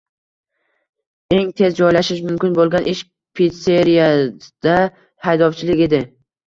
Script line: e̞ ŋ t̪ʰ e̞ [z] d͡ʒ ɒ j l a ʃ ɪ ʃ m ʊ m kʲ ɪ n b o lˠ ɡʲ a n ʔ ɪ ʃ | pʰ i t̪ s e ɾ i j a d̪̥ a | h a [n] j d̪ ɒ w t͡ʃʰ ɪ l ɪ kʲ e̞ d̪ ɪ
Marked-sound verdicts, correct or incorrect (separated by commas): correct, incorrect